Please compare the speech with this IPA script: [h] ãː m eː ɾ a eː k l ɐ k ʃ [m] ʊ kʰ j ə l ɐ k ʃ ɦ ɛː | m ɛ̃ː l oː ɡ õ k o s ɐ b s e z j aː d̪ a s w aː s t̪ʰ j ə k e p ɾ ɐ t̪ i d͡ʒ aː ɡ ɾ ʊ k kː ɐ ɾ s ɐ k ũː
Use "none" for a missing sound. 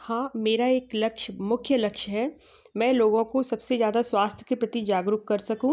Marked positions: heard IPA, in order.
h, m

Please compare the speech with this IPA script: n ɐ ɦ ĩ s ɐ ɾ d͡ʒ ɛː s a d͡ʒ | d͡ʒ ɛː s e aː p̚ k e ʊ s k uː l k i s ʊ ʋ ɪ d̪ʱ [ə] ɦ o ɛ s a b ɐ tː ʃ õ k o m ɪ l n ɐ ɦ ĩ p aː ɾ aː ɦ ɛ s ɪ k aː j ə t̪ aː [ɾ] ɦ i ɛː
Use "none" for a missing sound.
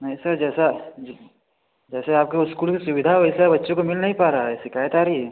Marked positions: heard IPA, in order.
a, ɾ

